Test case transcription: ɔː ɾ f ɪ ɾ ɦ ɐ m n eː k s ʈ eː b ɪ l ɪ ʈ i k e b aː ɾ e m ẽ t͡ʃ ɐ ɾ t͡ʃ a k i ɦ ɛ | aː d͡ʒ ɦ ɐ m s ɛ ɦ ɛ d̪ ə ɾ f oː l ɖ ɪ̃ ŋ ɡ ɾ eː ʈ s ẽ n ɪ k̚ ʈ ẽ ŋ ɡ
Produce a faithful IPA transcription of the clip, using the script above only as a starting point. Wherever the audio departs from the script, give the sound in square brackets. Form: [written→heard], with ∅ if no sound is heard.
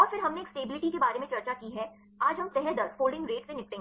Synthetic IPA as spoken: ɔː ɾ f ɪ ɾ ɦ ɐ m n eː k s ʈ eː b ɪ l ɪ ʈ i k e b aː ɾ e m ẽ t͡ʃ ɐ ɾ t͡ʃ a k i ɦ ɛ | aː d͡ʒ ɦ ɐ m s ɛ ɦ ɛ d̪ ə ɾ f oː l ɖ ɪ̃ ŋ ɡ ɾ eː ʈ s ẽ n ɪ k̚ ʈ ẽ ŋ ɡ